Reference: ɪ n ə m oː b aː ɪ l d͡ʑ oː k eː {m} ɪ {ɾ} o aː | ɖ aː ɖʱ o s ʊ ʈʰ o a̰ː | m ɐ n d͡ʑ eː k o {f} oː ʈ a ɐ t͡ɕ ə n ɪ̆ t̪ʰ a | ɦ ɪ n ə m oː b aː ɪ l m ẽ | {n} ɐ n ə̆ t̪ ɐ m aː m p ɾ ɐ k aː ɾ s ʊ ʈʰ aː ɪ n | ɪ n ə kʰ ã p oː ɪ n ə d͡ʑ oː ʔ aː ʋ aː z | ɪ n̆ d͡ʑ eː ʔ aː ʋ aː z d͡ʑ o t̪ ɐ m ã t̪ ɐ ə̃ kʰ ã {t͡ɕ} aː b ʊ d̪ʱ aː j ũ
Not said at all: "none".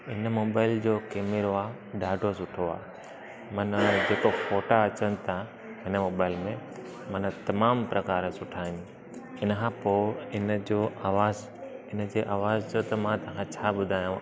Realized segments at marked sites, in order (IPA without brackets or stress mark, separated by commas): m, ɾ, f, m, t͡ɕʰ